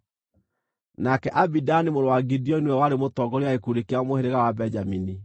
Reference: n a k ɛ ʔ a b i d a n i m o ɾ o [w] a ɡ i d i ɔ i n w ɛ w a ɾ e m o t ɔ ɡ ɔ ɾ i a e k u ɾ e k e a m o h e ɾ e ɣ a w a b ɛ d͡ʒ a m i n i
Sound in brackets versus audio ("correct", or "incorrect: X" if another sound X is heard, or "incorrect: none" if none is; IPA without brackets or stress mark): correct